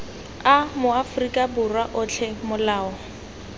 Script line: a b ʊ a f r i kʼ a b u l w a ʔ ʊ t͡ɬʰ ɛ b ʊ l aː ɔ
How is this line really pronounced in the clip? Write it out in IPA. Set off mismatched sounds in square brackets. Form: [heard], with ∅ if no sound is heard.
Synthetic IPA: a [m] ʊ a f r i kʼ a b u [r] w a ʔ ʊ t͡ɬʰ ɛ [m] ʊ l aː ɔ